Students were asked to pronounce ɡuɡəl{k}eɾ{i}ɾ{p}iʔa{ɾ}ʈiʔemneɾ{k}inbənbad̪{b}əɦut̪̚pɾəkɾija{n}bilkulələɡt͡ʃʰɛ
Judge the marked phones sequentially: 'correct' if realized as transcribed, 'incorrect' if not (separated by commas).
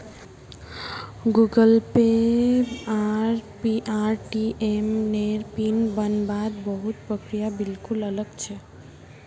incorrect, incorrect, correct, correct, incorrect, correct, incorrect